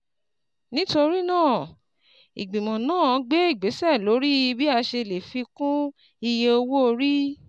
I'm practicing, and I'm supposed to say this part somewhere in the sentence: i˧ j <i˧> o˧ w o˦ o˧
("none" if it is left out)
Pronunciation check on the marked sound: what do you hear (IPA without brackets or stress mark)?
e˧